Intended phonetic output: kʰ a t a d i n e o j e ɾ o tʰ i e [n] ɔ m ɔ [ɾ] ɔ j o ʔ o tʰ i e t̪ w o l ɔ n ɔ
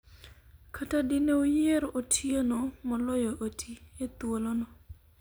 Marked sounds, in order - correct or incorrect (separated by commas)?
correct, incorrect